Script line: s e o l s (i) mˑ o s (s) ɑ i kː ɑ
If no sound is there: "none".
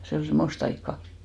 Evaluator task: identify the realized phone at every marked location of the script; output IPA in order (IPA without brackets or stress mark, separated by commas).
e, t